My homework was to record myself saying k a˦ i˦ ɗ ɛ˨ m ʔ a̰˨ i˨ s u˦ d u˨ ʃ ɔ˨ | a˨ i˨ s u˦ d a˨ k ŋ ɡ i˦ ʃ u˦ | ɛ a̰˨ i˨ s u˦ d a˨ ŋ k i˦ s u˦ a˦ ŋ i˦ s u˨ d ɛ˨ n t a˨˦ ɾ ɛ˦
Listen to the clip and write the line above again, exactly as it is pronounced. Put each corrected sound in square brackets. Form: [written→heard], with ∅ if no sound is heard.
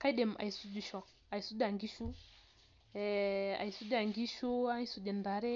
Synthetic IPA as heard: k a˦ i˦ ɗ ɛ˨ m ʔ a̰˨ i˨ s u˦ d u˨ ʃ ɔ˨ | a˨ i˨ s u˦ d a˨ [k→∅] ŋ ɡ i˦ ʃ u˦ | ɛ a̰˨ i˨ s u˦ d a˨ ŋ [k→ɡ] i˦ [s→ʃ] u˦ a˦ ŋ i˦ s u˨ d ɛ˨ n [t→d] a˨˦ ɾ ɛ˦